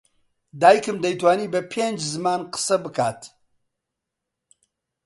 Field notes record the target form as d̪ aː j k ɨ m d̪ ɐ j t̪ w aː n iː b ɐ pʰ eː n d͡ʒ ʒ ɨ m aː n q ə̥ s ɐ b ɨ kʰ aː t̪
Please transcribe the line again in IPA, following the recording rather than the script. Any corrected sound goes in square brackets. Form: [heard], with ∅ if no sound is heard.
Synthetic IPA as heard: d̪ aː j k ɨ m d̪ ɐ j t̪ w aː n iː b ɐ pʰ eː n d͡ʒ [z] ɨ m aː n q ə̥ s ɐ b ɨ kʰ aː t̪